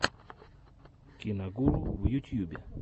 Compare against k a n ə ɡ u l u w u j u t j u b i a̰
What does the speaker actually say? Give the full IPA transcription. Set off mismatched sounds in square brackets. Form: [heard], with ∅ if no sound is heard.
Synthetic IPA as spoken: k [i] n [a] ɡ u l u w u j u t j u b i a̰